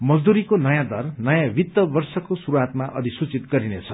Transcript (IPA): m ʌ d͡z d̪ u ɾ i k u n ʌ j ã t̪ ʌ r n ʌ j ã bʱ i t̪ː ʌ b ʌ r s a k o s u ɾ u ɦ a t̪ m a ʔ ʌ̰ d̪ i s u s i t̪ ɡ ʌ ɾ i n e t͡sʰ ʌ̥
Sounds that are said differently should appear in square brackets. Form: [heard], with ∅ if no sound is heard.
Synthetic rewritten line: m ʌ d͡z d̪ u ɾ i k [o] n ʌ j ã [d̪] ʌ r n ʌ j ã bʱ i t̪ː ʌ b ʌ r s [ʌ] k o s u ɾ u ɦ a t̪ m a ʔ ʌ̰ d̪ i s u [t͡s] i t̪ ɡ ʌ ɾ i n e t͡sʰ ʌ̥

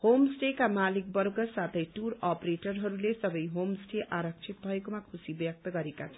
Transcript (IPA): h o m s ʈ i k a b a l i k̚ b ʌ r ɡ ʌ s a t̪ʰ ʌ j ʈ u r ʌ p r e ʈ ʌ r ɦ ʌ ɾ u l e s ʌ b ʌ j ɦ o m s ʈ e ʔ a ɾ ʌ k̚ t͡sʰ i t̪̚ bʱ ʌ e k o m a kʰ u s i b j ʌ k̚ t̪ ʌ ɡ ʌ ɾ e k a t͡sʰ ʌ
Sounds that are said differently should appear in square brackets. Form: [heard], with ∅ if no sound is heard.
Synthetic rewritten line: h o m s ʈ [e] k a [m] a l i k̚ b ʌ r ɡ ʌ s a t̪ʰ ʌ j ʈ u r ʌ p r e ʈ ʌ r ɦ ʌ ɾ u l e s ʌ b ʌ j ɦ o m s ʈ e ʔ a ɾ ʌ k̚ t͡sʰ i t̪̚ bʱ ʌ e k o m a kʰ u s i b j ʌ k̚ t̪ ʌ ɡ ʌ ɾ e k a t͡sʰ ʌ

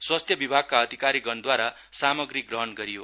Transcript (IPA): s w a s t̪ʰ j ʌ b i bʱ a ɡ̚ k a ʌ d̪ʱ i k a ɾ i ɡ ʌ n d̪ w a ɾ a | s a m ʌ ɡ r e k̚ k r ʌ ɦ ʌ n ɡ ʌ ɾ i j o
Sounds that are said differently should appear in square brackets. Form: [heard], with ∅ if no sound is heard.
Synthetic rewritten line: s w a s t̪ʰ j ʌ b i bʱ a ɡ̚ k a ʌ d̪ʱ i k a ɾ i ɡ ʌ n d̪ w a ɾ a | s a m ʌ ɡ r [i] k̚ [ɡ] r ʌ ɦ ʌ n ɡ ʌ ɾ i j o

